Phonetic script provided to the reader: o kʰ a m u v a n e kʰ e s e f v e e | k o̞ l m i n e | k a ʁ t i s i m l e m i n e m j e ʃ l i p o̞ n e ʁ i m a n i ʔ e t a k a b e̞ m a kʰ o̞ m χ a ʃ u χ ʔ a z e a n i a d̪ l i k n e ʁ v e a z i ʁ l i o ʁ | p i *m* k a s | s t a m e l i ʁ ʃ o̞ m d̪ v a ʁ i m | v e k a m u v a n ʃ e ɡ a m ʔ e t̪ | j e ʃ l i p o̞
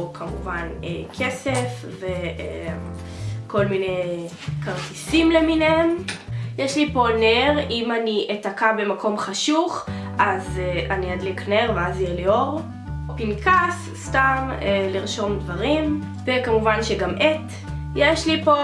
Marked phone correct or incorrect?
incorrect